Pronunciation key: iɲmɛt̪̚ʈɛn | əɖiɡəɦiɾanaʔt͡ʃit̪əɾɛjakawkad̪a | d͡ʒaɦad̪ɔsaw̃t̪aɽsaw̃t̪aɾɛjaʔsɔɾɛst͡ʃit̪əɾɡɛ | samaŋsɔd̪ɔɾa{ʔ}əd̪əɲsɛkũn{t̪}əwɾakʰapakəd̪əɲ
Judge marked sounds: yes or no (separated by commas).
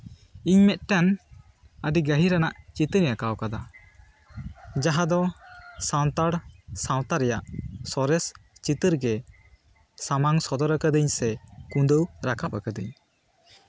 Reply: no, no